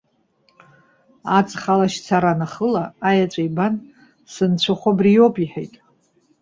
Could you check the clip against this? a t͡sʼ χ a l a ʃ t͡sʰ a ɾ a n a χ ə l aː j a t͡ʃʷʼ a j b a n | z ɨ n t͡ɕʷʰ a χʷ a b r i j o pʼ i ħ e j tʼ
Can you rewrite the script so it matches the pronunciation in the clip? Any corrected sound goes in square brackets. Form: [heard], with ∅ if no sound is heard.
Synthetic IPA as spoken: a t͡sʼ χ a l a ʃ t͡sʰ a ɾ a n a χ ə l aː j a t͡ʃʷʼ a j b a n | [s] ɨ n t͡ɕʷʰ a χʷ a b r i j o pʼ i ħ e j tʼ